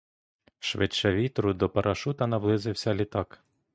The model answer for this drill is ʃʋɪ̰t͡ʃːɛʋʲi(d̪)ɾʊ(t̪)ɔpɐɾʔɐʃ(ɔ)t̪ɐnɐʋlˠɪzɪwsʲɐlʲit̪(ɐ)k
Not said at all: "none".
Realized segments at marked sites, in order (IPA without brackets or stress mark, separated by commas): t̪, d̪, u, ɑ